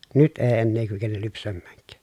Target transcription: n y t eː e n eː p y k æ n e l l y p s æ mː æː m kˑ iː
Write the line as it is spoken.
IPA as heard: n y t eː e nː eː k y k e n e l l y p s æ mː æː ŋ kˑ æː